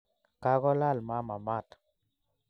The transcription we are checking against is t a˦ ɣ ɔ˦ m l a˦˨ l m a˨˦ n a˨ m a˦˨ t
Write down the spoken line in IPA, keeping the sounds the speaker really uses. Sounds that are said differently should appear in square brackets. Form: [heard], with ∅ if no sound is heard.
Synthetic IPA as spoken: [k] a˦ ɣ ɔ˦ [∅] l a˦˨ l m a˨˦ [m] a˨ m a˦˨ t